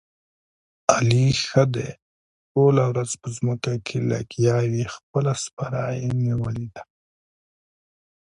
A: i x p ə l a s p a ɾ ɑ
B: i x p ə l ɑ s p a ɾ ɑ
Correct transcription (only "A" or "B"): A